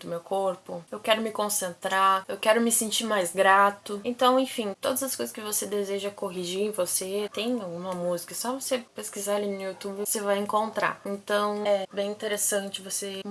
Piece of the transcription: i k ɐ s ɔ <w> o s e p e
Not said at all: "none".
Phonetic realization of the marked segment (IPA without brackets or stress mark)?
v